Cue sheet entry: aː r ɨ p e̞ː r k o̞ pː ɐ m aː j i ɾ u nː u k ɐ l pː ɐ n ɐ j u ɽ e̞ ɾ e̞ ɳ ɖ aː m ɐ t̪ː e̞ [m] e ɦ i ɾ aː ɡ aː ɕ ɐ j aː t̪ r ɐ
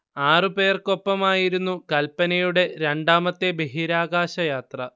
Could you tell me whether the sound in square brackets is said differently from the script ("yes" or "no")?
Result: yes